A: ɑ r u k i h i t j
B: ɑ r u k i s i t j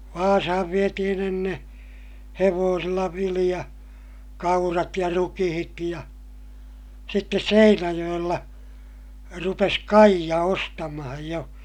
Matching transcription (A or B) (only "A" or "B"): A